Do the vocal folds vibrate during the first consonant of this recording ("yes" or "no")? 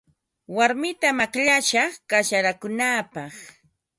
yes